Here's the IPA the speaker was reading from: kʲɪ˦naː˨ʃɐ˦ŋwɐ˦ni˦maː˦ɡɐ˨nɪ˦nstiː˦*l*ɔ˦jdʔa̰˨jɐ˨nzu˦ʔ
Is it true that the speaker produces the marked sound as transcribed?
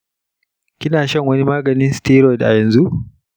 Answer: no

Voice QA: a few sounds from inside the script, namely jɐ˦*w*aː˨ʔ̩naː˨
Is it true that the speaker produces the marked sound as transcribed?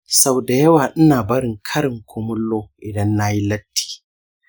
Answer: yes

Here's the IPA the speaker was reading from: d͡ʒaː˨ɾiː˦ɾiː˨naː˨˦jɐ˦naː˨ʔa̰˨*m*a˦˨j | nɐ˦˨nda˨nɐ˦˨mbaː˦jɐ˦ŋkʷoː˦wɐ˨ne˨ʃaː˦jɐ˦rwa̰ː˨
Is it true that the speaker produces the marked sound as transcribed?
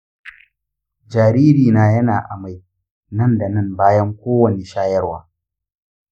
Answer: yes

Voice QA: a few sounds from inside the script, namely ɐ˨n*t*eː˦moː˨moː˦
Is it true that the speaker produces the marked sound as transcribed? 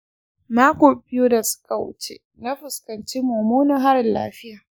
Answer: no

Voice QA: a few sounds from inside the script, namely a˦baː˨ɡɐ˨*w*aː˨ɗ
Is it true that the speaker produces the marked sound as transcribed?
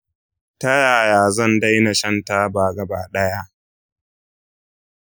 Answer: no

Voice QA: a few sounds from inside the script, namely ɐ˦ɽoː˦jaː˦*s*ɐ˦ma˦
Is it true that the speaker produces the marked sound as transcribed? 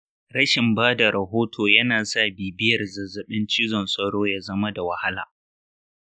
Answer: no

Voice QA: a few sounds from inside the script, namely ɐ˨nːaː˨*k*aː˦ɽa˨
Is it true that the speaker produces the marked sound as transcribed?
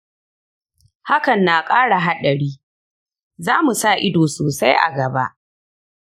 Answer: no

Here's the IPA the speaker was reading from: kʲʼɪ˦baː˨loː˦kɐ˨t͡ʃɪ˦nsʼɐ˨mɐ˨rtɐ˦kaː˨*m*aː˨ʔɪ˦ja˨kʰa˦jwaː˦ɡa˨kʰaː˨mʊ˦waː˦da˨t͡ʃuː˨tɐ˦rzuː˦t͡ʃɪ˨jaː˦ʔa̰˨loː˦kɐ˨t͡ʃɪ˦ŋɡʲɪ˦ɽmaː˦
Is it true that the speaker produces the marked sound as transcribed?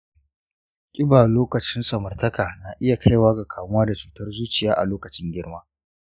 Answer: no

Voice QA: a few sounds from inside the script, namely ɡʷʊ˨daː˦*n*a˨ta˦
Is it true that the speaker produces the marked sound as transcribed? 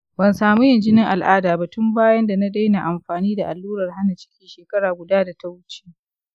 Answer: no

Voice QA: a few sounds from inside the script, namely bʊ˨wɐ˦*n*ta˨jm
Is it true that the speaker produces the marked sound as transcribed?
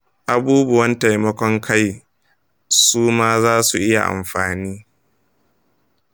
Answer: yes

